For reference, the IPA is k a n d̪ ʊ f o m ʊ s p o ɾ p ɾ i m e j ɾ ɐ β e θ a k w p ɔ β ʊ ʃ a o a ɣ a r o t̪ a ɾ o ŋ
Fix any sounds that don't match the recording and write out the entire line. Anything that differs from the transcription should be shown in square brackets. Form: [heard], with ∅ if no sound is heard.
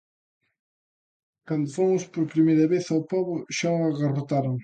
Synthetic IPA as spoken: k a n d̪ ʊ f o m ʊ s p o ɾ p ɾ i m e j ɾ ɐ β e θ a [∅] w p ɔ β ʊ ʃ a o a ɣ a r o t̪ a ɾ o ŋ